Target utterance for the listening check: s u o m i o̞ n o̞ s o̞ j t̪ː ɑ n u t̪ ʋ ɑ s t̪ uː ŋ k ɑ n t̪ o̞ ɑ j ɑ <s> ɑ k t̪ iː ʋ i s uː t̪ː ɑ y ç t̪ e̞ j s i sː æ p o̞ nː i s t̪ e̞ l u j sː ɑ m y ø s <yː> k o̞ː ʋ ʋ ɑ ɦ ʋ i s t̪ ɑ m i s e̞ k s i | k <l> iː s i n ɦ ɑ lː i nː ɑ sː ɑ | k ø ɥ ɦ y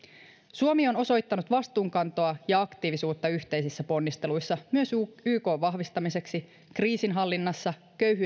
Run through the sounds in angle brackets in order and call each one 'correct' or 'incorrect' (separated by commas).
incorrect, correct, incorrect